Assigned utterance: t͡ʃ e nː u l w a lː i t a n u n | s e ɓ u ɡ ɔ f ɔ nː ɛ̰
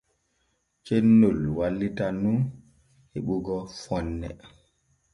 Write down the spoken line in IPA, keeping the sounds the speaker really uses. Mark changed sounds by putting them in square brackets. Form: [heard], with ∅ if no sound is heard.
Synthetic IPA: t͡ʃ e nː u l w a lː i t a n u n | [h] e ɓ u ɡ ɔ f ɔ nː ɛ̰